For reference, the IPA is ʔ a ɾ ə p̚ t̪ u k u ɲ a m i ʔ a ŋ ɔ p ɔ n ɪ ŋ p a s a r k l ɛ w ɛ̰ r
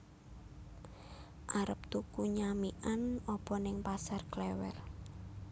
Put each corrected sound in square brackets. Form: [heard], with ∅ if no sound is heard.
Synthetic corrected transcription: ʔ a ɾ ə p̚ t̪ u k u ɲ a m i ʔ a [n] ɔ p ɔ n ɪ ŋ p a s a r k l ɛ w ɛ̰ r